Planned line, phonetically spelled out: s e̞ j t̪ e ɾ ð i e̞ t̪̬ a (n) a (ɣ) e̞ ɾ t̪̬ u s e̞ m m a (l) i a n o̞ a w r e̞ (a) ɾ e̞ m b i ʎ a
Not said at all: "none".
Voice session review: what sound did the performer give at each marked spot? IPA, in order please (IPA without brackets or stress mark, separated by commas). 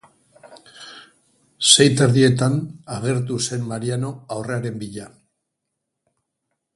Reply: n, ɣ, ɾ, a